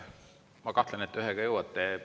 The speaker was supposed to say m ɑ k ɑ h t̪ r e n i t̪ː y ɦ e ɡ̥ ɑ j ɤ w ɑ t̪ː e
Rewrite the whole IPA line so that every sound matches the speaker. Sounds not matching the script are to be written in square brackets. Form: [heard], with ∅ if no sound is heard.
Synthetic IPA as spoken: m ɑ k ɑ h t̪ [l] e n [e] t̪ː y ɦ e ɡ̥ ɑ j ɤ w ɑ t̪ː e